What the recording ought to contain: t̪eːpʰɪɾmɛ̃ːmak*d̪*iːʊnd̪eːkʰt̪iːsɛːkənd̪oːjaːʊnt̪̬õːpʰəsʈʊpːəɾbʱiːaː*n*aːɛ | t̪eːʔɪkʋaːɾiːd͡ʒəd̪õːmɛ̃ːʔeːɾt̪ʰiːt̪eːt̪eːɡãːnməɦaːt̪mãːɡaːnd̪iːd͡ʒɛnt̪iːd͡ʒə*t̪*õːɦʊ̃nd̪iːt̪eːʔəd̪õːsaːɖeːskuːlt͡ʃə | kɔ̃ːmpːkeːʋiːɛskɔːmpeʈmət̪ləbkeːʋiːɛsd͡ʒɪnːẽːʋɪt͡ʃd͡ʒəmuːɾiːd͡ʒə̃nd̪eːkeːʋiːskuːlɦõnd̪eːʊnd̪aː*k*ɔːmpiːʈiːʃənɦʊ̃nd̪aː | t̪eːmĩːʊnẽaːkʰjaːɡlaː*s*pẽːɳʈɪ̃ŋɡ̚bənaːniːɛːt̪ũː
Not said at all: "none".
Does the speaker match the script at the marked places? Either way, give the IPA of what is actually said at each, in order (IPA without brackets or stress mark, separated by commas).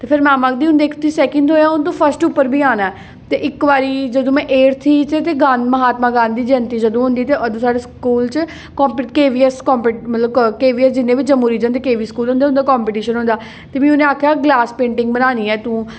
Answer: d̪, n, d̪, k, s